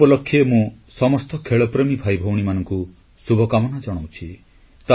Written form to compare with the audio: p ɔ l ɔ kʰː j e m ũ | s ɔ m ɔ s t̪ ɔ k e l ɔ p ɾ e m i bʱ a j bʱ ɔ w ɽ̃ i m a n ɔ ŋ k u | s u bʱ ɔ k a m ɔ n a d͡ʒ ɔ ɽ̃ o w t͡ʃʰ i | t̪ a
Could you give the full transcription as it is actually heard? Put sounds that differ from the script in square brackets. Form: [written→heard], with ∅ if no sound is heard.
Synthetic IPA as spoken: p ɔ l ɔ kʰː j e m ũ | s ɔ m ɔ s t̪ ɔ [k→kʰ] e [l→ɭ] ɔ p ɾ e m i bʱ a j bʱ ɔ w ɽ̃ i m a n ɔ ŋ k u | s u bʱ ɔ k a m ɔ n a d͡ʒ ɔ ɽ̃ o w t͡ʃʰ i | t̪ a